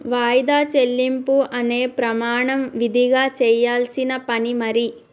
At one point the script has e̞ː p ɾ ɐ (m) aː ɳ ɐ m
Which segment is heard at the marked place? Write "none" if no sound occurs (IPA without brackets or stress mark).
m